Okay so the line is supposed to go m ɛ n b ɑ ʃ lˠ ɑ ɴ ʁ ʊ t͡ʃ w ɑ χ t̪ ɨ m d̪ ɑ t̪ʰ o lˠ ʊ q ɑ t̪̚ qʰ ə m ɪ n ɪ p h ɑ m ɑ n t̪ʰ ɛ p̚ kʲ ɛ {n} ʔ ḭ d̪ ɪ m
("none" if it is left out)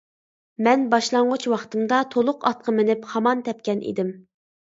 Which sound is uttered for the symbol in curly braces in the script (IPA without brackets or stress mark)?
n